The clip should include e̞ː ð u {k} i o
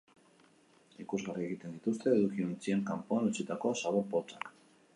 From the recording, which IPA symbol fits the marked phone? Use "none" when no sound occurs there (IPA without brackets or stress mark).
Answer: k